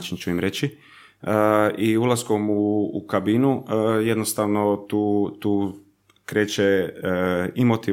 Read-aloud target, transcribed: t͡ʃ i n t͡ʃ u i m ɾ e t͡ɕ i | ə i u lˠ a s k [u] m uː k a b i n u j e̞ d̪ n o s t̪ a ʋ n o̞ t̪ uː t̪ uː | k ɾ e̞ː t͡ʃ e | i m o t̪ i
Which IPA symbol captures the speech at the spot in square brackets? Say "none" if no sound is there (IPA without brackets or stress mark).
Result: o